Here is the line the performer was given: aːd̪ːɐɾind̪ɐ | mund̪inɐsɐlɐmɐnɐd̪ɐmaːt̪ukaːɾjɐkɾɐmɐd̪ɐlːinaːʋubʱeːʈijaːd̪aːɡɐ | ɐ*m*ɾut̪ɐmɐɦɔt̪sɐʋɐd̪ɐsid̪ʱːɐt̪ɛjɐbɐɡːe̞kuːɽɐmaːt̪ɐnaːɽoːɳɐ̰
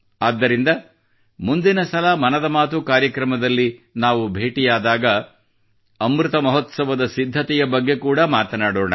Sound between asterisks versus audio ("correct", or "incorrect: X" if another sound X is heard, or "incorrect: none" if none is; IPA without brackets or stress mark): correct